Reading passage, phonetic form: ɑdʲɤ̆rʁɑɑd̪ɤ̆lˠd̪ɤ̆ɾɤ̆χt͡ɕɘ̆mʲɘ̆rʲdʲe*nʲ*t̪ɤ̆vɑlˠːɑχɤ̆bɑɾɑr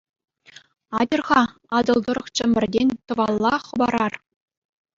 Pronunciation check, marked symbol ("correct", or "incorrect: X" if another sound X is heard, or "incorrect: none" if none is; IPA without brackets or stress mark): correct